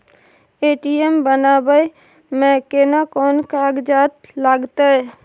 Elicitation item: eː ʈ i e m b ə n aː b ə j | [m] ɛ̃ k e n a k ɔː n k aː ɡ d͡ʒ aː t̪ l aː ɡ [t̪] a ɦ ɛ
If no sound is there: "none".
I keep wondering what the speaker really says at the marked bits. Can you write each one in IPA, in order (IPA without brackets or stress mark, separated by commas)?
m, t̪